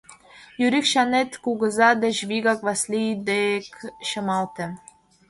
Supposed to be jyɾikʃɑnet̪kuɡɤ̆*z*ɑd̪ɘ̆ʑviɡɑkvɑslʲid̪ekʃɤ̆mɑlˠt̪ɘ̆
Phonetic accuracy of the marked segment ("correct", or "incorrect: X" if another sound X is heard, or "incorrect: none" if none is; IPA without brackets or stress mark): correct